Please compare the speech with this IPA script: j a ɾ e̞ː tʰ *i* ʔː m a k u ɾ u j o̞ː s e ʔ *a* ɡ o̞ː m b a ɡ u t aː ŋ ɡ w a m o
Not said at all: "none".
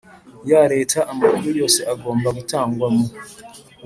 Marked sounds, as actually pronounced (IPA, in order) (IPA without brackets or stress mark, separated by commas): a, a